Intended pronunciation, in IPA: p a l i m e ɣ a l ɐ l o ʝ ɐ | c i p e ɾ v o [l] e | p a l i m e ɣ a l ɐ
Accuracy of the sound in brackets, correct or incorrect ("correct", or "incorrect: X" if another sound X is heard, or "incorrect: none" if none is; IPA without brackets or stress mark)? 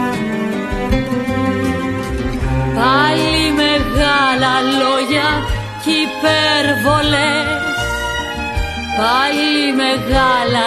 correct